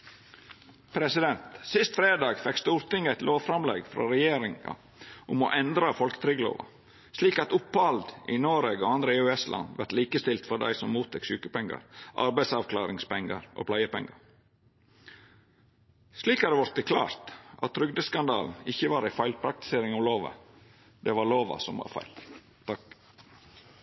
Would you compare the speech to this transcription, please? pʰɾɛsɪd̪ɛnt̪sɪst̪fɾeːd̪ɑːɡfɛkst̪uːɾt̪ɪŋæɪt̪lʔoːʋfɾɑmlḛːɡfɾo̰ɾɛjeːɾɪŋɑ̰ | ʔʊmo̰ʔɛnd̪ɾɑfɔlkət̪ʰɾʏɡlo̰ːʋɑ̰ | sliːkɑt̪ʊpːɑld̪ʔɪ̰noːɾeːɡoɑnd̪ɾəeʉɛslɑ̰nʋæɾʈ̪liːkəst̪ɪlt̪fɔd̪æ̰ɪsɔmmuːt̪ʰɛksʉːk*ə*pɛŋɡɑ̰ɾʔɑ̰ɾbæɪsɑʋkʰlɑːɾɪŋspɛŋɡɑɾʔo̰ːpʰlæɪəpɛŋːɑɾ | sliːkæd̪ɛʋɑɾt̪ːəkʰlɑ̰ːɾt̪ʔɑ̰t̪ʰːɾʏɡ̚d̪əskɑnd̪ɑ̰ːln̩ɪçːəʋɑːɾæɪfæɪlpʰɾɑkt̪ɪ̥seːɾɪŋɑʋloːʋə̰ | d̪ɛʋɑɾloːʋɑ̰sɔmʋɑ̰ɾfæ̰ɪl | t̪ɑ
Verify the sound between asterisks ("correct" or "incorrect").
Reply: correct